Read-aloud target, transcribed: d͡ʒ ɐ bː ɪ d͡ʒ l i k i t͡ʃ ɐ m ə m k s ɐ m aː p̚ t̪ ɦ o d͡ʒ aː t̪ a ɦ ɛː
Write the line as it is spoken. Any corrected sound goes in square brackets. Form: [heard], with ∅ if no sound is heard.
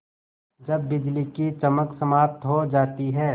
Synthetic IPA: d͡ʒ ɐ bː ɪ d͡ʒ l i k i t͡ʃ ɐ m ə [∅] k s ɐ m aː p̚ t̪ ɦ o d͡ʒ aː t̪ [i] ɦ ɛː